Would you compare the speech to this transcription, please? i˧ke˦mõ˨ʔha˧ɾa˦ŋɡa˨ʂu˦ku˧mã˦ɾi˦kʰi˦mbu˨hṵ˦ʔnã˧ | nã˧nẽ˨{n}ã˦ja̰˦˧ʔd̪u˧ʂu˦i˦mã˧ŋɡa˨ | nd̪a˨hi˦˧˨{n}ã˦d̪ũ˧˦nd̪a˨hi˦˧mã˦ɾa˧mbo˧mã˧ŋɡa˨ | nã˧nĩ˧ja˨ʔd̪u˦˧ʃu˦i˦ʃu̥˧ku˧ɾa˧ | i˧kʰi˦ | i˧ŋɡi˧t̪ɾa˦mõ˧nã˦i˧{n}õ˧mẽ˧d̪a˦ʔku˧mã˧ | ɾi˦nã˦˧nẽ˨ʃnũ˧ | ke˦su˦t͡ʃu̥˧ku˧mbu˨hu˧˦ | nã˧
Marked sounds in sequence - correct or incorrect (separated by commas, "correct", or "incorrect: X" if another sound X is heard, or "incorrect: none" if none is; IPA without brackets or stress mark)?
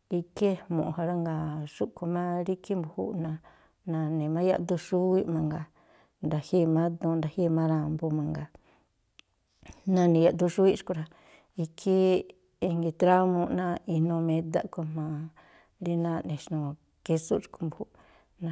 incorrect: m, incorrect: m, correct